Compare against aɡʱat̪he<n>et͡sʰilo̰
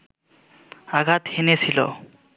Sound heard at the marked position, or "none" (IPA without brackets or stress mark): n